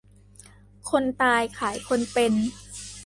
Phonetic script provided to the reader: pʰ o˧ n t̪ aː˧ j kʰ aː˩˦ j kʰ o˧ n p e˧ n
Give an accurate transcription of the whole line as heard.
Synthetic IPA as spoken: kʰ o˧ n t̪ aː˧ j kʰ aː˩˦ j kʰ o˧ n p e˧ n